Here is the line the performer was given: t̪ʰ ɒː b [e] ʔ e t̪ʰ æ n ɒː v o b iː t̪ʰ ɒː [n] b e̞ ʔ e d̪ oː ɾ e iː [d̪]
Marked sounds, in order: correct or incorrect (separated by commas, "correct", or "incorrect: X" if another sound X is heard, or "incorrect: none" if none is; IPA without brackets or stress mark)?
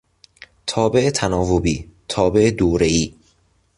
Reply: correct, incorrect: none, incorrect: none